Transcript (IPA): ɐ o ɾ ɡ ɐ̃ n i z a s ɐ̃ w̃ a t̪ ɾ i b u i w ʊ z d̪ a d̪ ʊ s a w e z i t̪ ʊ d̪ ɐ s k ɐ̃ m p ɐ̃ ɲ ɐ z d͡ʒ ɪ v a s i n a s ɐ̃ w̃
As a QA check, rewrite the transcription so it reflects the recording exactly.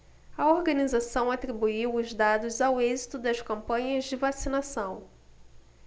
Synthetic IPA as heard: ɐ o ɾ ɡ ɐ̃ n i z a s ɐ̃ w̃ a t̪ ɾ i b u i w ʊ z d̪ a d̪ ʊ z a w e z i t̪ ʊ d̪ ɐ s k ɐ̃ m p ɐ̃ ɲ ɐ z d͡ʒ ɪ v a s i n a s ɐ̃ w̃